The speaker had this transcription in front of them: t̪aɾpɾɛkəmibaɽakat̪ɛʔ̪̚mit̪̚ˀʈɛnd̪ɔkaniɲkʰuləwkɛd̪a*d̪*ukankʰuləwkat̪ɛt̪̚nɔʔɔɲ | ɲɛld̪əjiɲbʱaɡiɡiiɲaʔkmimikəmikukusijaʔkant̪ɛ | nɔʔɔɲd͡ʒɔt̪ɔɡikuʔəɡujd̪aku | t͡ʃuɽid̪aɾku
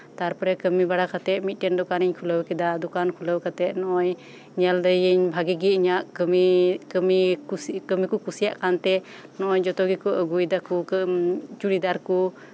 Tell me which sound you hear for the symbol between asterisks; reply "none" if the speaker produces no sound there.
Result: d̪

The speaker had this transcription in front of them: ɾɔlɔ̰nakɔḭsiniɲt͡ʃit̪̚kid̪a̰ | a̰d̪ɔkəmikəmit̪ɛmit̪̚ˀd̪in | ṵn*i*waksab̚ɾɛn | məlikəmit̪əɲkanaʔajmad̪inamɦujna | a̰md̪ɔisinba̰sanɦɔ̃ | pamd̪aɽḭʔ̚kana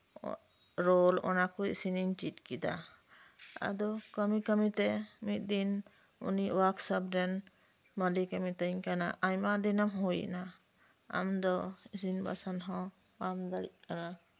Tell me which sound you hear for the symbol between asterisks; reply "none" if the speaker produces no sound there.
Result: i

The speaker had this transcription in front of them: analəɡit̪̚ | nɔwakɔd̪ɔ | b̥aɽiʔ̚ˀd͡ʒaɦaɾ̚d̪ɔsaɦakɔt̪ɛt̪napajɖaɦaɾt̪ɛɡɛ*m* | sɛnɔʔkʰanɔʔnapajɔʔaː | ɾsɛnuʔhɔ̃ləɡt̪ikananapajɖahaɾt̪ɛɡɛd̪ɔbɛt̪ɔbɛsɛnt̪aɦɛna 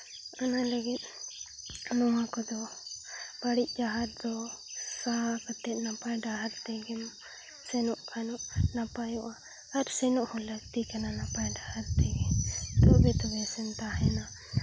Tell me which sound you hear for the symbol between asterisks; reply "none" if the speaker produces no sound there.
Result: m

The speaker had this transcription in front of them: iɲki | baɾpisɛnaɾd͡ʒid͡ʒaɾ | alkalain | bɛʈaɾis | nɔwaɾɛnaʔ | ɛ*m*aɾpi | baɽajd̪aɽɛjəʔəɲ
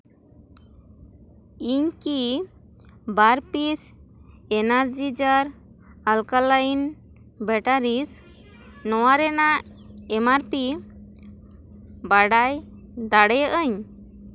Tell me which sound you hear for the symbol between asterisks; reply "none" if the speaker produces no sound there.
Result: m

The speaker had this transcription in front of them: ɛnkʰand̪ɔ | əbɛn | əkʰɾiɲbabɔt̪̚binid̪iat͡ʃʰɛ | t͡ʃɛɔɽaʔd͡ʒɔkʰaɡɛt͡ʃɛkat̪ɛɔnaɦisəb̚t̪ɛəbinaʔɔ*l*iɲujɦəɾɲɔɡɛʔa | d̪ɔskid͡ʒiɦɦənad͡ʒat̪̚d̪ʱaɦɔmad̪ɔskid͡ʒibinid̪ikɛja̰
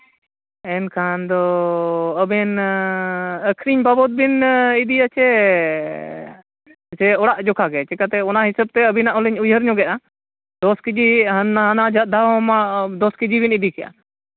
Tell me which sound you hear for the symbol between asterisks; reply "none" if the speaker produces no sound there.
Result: l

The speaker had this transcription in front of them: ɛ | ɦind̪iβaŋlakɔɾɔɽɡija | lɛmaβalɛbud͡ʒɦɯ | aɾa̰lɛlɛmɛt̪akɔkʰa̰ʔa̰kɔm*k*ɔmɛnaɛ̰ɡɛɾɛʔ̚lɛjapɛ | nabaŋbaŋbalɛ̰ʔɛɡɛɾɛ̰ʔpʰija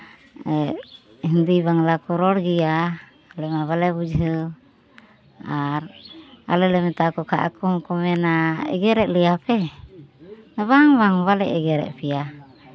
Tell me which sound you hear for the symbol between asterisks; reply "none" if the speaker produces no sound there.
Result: k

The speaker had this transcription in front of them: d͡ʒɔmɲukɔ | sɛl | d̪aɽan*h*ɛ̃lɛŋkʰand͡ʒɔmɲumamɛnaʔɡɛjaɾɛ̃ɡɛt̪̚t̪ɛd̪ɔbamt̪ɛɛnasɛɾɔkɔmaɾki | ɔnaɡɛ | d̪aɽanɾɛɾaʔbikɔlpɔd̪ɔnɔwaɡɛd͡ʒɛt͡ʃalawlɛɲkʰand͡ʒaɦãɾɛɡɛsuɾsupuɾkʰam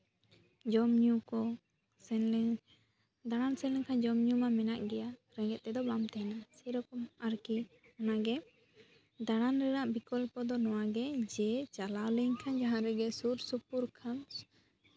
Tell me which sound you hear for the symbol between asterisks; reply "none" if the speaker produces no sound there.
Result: s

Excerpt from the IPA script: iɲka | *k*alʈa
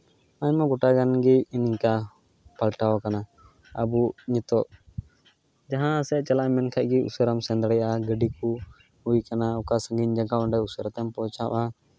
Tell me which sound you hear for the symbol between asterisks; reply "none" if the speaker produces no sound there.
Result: p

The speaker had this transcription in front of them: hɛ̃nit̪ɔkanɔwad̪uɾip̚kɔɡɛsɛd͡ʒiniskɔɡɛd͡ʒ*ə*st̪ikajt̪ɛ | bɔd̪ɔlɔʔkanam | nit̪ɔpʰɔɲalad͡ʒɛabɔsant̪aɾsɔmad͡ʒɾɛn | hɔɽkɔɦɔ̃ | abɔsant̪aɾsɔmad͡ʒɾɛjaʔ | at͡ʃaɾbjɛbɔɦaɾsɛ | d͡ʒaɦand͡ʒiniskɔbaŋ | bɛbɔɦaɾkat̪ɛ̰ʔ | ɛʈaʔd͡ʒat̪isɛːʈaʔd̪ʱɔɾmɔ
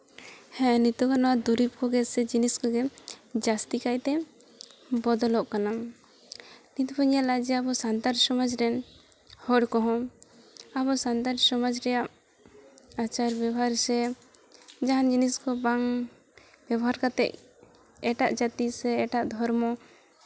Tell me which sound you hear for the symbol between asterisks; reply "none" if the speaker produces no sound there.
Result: a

